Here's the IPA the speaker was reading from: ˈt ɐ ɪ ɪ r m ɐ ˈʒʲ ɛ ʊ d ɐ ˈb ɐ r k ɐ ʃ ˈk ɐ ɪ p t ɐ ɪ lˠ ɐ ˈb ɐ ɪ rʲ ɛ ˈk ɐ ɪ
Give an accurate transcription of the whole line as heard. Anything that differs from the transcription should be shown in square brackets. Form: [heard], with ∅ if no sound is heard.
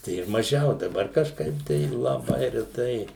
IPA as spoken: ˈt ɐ ɪ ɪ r m ɐ ˈʒʲ ɛ ʊ d ɐ ˈb ɐ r k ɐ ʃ ˈk ɐ ɪ p t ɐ ɪ lˠ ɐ ˈb ɐ ɪ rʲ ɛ [ˈt] ɐ ɪ